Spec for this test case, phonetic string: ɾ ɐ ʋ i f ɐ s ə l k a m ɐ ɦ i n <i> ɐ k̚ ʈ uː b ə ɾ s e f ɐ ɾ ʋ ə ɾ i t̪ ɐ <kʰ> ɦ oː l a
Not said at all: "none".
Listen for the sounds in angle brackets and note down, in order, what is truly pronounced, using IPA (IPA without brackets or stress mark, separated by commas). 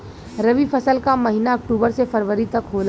a, k